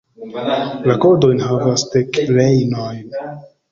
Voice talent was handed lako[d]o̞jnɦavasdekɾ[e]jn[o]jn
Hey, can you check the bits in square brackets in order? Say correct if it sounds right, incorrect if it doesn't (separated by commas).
correct, correct, correct